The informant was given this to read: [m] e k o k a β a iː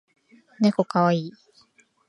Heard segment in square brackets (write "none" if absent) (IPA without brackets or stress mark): n